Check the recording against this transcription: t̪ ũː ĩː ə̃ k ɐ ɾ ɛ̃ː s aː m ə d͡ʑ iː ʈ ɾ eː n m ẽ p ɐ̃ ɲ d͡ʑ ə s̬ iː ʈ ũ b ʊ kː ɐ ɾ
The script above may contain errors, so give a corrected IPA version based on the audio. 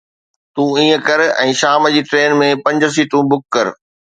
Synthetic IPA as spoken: t̪ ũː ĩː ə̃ k ɐ ɾ ɛ̃ː ʃ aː m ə d͡ʑ iː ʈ ɾ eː n m ẽ p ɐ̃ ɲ d͡ʑ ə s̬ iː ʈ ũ b ʊ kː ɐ ɾ